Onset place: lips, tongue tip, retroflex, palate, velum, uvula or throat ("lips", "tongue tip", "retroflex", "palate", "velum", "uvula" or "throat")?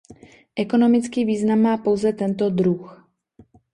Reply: throat